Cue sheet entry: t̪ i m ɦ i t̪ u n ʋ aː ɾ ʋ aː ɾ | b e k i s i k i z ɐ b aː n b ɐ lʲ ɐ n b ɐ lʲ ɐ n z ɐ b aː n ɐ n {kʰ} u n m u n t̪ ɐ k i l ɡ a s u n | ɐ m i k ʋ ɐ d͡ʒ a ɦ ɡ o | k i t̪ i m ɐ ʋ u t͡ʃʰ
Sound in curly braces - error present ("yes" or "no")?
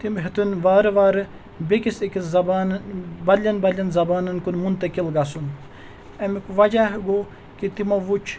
yes